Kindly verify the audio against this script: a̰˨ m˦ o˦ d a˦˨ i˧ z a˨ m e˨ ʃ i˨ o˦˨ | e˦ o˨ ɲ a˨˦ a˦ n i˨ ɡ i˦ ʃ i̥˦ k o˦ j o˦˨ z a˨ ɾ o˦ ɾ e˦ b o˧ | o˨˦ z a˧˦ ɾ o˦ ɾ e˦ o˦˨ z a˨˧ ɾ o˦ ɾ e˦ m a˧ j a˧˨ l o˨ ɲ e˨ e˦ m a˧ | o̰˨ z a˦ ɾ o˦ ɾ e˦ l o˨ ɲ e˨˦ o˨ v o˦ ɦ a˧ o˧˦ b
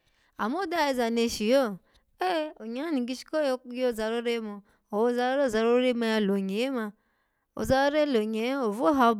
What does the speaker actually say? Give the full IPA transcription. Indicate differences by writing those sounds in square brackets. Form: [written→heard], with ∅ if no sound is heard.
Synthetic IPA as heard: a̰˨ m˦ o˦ d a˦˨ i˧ z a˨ [m→n] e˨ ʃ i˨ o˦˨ | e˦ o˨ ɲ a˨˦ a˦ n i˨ ɡ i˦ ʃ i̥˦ k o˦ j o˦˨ z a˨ ɾ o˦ ɾ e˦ [b→m] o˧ | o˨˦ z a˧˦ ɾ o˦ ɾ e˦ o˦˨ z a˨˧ ɾ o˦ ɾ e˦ m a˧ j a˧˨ l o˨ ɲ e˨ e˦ m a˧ | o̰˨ z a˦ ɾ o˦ ɾ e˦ l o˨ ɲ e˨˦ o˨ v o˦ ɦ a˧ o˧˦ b

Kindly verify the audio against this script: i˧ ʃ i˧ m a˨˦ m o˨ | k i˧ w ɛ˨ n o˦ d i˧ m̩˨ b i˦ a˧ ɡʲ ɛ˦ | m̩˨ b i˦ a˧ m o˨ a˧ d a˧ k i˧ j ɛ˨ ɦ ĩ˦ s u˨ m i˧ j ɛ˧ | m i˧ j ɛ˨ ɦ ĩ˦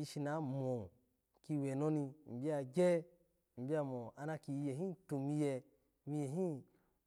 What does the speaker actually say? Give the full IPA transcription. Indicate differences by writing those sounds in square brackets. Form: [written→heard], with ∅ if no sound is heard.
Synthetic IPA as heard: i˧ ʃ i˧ [m→n] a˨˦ m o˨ | k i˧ w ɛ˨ n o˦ [d→n] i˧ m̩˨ b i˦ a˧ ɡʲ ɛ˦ | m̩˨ b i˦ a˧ m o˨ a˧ [d→n] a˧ k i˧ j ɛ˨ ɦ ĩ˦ [s→t] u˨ m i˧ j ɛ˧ | m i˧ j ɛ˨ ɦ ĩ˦

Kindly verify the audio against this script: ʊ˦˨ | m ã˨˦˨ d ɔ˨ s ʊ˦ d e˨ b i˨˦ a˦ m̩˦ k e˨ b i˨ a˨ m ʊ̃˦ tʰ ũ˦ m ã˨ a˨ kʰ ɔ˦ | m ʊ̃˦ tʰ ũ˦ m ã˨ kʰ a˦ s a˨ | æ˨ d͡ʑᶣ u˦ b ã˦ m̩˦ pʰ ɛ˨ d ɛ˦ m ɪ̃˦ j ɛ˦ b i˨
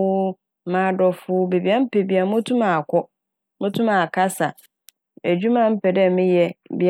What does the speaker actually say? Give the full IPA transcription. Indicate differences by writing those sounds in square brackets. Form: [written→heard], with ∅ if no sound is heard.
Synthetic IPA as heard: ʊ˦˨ | m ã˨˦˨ d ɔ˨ [s→f] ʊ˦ [d→b] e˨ b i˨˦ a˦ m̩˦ [k→p] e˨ b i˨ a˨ m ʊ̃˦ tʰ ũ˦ m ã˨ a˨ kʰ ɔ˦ | m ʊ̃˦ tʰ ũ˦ m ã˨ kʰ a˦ s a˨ | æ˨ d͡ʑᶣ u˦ [b→m] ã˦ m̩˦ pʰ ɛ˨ d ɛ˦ m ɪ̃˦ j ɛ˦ b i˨

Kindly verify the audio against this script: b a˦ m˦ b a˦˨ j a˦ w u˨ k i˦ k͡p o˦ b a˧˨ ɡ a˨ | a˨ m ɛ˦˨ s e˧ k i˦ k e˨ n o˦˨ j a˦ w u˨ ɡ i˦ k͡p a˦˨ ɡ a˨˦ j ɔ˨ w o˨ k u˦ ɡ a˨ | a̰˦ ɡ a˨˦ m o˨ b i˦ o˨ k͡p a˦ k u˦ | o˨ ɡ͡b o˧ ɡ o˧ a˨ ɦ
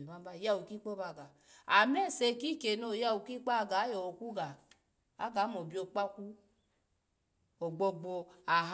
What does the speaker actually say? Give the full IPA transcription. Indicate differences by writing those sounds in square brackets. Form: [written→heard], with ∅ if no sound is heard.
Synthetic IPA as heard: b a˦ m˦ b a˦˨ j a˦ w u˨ k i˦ k͡p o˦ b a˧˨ ɡ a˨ | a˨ m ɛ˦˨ s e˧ k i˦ k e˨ n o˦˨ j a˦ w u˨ [ɡ→k] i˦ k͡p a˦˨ ɡ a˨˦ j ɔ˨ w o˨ k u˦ ɡ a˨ | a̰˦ ɡ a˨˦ m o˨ b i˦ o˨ k͡p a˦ k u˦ | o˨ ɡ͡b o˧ [ɡ→ɡ͡b] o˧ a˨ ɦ

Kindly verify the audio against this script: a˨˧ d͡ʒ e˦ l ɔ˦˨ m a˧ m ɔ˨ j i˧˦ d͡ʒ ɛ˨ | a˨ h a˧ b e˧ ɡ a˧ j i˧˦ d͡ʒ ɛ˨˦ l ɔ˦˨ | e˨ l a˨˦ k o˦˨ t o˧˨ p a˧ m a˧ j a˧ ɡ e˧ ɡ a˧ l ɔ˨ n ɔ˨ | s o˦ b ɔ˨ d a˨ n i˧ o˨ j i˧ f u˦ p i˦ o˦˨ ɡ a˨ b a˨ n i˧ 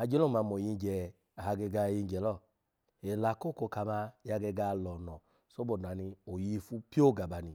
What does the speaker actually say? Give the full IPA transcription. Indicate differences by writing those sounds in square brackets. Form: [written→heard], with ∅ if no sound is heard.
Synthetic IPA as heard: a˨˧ d͡ʒ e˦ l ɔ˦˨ m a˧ m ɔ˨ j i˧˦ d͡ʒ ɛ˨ | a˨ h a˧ [b→ɡ] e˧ ɡ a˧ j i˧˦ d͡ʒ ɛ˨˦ l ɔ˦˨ | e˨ l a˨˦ k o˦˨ [t→k] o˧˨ [p→k] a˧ m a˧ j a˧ ɡ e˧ ɡ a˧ l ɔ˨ n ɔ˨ | s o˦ b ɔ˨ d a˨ n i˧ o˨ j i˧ f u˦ p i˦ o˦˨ ɡ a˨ b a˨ n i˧

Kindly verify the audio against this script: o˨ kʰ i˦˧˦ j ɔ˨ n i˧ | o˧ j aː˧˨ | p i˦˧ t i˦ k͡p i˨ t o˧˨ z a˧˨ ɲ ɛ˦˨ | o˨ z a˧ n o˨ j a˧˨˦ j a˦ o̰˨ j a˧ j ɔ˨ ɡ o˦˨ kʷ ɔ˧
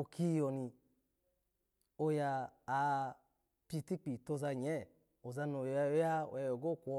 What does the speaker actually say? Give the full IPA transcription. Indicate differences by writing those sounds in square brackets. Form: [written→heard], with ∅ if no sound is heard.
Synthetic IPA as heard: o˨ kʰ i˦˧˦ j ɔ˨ n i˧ | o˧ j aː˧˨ | p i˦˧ t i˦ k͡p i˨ t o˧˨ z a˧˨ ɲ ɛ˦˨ | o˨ z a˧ n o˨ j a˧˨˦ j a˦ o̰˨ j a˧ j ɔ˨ ɡ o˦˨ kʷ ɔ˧

